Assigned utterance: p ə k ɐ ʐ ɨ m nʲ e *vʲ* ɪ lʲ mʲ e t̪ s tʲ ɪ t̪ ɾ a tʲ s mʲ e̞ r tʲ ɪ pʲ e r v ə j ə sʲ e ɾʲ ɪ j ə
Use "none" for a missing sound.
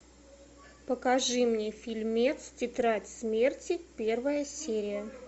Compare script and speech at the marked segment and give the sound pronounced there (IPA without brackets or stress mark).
fʲ